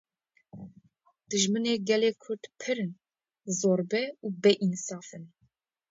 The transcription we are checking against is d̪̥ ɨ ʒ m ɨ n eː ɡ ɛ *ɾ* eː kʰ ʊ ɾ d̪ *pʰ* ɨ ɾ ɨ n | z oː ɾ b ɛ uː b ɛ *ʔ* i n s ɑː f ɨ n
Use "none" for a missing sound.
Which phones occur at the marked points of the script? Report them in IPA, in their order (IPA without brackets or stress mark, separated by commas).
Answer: l, pʰ, ʔ